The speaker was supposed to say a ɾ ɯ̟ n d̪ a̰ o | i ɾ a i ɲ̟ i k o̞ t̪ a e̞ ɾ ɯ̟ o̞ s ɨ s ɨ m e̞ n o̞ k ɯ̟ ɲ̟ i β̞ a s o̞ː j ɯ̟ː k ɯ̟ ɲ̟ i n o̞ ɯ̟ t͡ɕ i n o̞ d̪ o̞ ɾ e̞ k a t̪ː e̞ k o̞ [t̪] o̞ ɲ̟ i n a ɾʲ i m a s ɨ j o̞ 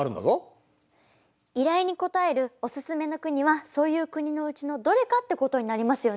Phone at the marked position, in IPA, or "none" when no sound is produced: t̪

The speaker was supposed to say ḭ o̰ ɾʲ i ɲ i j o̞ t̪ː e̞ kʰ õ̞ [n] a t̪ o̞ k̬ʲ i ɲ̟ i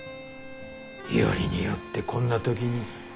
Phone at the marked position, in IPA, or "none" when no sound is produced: nː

